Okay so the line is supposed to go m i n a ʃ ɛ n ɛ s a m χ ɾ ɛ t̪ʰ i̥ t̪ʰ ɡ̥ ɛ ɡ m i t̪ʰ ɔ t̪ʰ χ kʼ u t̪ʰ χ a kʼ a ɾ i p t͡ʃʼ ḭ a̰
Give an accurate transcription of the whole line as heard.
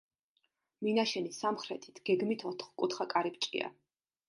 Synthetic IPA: m i n a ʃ ɛ n i s a m χ ɾ ɛ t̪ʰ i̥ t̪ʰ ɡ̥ ɛ ɡ m i t̪ʰ ɔ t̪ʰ χ kʼ u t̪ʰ χ a kʼ a ɾ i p t͡ʃʼ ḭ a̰